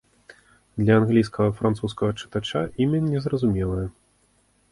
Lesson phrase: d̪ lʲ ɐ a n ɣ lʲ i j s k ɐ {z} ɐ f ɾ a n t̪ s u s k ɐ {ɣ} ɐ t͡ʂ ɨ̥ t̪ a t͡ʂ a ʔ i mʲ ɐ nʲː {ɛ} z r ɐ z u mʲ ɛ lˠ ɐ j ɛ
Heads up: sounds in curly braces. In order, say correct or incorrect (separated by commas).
incorrect, correct, correct